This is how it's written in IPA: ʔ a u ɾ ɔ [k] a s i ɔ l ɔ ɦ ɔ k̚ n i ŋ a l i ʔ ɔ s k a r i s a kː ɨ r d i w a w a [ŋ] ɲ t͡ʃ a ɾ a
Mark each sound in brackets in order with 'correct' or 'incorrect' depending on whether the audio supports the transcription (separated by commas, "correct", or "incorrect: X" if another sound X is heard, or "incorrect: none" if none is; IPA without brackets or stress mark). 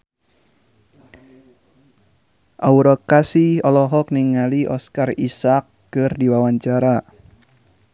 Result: correct, incorrect: none